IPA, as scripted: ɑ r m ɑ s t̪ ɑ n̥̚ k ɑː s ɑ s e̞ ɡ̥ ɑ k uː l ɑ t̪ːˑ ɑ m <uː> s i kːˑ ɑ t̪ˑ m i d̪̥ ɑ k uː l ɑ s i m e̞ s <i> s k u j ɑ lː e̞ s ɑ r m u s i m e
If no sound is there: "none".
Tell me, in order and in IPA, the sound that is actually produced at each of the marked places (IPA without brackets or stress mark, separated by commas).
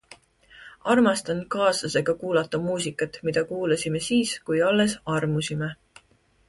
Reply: uː, iː